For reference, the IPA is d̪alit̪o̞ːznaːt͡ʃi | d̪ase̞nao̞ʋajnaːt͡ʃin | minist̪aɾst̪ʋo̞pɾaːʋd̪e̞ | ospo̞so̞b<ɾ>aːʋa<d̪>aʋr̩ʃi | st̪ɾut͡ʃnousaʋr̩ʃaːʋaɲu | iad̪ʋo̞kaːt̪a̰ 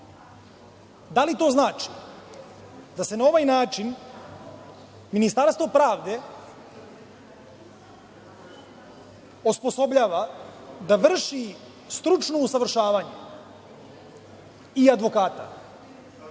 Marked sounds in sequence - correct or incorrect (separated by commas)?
incorrect, correct